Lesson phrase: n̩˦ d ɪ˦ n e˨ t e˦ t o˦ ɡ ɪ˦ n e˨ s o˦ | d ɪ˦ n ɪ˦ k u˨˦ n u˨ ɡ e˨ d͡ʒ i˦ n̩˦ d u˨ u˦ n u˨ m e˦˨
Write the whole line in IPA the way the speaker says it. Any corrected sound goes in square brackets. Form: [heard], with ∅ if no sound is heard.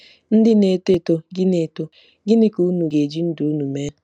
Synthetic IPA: n̩˦ d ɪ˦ n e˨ t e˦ t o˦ ɡ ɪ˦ n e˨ [t] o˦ | [ɡ] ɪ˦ n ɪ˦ k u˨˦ n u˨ ɡ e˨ d͡ʒ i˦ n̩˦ d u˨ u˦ n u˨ m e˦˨

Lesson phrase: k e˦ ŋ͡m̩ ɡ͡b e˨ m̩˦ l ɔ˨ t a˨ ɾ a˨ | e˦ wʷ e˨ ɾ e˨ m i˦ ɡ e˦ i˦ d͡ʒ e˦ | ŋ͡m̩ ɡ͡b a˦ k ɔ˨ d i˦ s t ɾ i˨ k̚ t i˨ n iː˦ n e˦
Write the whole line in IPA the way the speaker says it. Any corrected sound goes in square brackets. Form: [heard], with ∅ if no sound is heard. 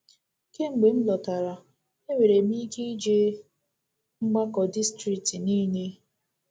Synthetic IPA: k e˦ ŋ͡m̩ ɡ͡b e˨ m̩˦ l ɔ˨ t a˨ ɾ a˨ | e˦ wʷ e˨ ɾ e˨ m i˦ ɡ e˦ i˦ d͡ʒ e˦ | ŋ͡m̩ ɡ͡b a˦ k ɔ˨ d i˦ s t ɾ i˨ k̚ t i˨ n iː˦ n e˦

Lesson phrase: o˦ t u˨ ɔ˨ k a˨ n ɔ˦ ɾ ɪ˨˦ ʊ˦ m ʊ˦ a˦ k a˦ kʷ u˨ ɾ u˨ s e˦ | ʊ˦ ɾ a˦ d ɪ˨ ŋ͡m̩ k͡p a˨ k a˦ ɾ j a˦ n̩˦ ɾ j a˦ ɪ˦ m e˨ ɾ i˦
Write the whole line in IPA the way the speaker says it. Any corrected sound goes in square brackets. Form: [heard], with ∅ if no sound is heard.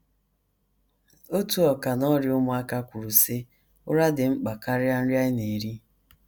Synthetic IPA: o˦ t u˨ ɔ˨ k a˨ n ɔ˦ ɾ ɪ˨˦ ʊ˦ m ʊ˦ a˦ k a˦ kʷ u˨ ɾ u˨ s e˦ | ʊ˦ ɾ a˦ d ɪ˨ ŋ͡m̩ k͡p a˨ k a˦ ɾ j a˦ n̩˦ ɾ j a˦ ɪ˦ [n] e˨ ɾ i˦

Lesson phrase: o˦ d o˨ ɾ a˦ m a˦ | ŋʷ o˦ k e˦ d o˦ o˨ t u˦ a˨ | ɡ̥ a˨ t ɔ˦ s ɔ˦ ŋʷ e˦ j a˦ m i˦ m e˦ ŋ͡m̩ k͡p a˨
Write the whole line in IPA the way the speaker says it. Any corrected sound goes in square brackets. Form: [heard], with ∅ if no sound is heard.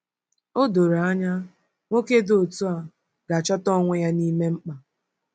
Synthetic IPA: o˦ d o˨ ɾ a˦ [ɲ] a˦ | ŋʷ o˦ k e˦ d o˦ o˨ t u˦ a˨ | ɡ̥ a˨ [t͡ʃ] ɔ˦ [t] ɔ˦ ŋʷ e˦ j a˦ [n] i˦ m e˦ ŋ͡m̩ k͡p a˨

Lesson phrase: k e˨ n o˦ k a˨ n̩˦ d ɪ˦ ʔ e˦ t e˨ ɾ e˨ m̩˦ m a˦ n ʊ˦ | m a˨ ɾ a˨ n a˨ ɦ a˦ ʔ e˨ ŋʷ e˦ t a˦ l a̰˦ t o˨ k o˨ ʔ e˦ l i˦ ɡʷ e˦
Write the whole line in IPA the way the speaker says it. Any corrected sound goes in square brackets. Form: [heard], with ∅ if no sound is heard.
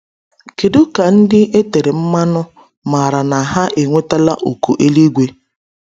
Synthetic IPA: k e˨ [d] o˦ k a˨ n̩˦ d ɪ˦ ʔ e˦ t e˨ ɾ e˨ m̩˦ m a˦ n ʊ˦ | m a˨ ɾ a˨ n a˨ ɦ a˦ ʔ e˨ ŋʷ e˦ t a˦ l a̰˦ [ʔ] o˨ k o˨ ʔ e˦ l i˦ ɡʷ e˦

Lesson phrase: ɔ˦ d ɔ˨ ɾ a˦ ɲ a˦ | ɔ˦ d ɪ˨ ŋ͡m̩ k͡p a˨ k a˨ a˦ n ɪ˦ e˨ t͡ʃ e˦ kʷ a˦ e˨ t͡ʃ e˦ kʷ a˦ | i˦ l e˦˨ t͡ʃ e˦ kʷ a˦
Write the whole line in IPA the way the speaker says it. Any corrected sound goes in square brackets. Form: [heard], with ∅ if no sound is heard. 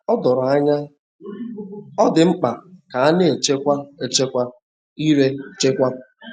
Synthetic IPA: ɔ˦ d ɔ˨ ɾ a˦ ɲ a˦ | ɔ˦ d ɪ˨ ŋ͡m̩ k͡p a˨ k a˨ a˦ n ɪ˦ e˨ t͡ʃ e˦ kʷ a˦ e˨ t͡ʃ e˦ kʷ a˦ | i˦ [ɾ] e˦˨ t͡ʃ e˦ kʷ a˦

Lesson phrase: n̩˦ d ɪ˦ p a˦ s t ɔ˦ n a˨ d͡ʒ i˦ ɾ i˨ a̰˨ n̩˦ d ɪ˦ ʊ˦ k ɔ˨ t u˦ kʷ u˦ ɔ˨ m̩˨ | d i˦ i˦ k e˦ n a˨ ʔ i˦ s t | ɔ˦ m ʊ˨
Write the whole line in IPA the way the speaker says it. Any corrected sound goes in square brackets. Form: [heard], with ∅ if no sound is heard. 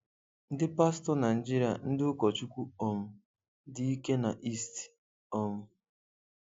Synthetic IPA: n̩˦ d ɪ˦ p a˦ s t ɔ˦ n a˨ d͡ʒ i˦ ɾ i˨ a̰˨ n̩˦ d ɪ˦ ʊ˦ k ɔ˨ [t͡ʃ] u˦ kʷ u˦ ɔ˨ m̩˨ | d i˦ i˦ k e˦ n a˨ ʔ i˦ s t | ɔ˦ m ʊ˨

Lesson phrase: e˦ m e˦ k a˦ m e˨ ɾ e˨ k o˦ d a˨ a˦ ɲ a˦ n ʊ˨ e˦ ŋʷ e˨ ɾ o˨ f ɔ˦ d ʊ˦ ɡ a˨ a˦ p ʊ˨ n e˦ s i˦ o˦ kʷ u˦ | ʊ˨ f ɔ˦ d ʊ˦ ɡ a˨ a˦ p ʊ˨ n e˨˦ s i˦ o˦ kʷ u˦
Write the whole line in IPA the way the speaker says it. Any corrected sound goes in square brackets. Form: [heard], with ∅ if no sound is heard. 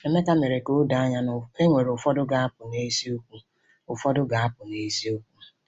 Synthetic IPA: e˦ m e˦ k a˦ m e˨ ɾ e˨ k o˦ d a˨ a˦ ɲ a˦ n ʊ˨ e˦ ŋʷ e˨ ɾ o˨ f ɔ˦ d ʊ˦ ɡ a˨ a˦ p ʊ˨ n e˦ s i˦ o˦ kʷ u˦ | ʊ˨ f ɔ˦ d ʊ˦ ɡ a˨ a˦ p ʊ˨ n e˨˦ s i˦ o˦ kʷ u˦

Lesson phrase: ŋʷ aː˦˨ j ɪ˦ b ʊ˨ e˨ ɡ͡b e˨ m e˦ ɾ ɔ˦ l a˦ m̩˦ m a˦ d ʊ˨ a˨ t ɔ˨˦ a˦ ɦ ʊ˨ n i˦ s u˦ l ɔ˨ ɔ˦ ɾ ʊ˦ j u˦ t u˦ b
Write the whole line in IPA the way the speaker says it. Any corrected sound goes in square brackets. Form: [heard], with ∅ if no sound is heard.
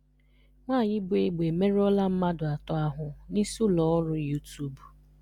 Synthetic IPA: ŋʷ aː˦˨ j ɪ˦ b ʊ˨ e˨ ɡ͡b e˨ m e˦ ɾ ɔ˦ l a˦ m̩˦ m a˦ d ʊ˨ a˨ t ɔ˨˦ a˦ ɦ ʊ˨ n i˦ s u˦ l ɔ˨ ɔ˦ ɾ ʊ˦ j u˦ t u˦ b

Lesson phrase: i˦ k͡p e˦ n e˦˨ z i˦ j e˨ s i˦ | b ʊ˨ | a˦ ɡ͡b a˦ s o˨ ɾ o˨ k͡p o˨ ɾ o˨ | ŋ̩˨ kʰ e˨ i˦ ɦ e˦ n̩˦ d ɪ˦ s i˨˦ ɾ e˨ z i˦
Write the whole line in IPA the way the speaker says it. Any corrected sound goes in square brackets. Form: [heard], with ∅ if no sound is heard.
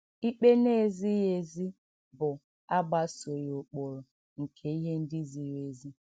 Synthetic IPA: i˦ k͡p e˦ n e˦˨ z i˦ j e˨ [z] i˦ | b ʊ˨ | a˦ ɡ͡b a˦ s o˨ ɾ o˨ k͡p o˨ ɾ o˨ | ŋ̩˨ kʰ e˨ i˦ ɦ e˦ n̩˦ d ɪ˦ [z] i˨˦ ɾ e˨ z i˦

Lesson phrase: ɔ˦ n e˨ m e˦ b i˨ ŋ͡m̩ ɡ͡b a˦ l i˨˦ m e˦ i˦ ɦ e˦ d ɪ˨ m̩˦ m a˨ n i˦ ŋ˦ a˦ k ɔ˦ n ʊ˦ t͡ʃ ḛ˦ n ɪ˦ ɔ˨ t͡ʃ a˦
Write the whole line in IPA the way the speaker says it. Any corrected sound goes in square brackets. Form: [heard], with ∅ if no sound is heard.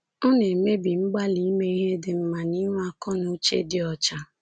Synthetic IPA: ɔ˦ n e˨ m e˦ b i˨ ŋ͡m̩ ɡ͡b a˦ l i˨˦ m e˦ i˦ ɦ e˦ d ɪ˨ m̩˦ m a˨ n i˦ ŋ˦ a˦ k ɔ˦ n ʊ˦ t͡ʃ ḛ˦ [d] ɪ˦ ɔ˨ t͡ʃ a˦

